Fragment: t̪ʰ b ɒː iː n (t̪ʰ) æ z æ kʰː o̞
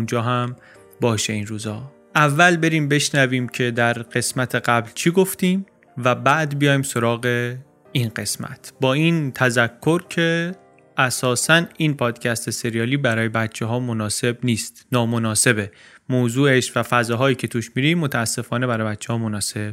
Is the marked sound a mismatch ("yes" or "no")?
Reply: no